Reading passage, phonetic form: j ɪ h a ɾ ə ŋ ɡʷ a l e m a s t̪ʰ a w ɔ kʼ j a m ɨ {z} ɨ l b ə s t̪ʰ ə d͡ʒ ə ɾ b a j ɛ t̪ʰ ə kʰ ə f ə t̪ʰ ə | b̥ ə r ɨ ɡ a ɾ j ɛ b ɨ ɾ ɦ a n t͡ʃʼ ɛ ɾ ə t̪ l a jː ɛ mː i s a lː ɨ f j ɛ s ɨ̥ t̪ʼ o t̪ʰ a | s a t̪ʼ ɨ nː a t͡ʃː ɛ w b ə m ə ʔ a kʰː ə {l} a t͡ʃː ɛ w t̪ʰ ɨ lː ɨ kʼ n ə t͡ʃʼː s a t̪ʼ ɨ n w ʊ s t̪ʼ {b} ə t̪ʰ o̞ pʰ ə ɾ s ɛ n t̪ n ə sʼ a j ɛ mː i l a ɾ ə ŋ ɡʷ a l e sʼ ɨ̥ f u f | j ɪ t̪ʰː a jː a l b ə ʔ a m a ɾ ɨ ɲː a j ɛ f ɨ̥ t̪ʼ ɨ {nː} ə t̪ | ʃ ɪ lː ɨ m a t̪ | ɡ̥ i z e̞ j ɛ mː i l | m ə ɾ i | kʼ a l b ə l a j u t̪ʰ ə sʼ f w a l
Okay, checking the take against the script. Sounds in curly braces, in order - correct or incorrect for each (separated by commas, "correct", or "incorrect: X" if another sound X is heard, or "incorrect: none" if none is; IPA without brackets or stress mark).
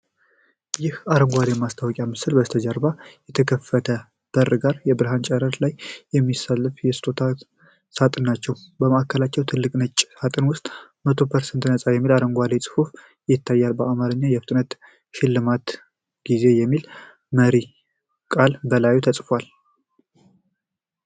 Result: incorrect: s, correct, incorrect: m, incorrect: n